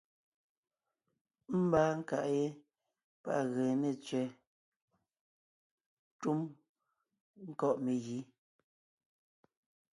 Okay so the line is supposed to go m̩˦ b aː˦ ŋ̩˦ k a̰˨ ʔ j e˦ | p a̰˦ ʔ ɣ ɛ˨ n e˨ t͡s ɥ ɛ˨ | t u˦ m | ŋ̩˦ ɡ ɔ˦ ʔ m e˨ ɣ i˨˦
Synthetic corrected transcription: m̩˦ b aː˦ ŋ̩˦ k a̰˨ ʔ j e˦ | p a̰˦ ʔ ɣ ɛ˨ n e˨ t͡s ɥ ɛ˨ | t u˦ m | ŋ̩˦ k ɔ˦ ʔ m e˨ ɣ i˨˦